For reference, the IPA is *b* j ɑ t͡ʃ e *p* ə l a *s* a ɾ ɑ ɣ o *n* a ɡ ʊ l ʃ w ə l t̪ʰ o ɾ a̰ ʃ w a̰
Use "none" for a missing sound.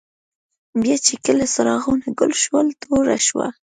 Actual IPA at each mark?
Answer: b, k, s, n

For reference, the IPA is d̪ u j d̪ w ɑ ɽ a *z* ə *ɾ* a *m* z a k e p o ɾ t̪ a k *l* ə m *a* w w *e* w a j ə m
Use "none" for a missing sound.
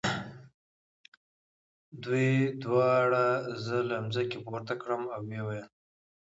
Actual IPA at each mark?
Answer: z, l, m, ɽ, a, e

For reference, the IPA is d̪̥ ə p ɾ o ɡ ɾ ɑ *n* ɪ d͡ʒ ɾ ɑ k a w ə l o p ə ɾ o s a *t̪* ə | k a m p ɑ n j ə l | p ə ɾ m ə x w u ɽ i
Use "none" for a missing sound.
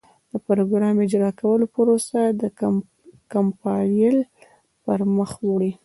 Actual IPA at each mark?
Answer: m, d̪

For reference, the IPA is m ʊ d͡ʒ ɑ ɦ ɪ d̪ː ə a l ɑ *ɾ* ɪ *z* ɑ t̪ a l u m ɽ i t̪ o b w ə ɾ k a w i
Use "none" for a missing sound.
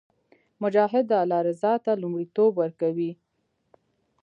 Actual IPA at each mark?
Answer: ɾ, z

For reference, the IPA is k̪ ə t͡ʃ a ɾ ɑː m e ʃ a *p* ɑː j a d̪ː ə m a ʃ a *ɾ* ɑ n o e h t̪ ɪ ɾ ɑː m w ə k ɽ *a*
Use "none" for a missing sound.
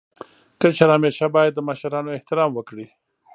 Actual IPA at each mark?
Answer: b, ɾ, i

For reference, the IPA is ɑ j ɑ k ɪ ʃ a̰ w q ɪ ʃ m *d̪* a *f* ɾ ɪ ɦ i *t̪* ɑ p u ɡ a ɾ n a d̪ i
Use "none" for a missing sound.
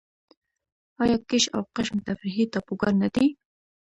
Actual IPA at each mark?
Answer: t̪, f, t̪

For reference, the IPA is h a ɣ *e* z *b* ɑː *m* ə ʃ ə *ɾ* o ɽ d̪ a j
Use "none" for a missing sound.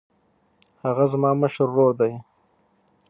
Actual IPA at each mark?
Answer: a, m, m, ɾː

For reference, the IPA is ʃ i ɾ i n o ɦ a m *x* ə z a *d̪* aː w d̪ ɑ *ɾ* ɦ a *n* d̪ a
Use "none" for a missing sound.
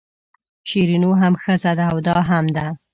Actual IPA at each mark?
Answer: x, d̪, none, m

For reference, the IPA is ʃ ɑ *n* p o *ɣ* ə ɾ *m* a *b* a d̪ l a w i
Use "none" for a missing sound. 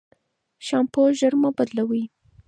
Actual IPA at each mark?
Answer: m, ʒ, m, b

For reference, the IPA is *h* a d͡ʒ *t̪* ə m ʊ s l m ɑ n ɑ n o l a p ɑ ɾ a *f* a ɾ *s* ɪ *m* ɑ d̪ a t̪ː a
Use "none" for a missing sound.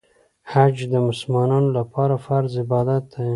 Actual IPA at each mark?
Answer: h, d̪, f, z, b

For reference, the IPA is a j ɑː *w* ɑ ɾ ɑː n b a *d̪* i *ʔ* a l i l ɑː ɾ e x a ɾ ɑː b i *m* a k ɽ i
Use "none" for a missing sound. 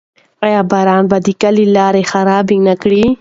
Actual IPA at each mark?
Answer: b, d̪, k, n

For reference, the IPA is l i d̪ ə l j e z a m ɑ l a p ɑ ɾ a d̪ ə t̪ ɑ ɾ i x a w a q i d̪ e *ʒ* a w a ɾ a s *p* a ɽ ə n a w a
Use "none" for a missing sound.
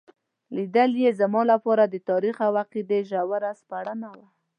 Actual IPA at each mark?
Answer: ʒ, p

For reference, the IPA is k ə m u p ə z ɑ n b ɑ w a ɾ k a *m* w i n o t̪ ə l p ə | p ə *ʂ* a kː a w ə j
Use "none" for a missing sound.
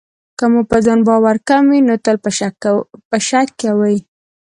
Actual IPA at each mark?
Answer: m, ʃ

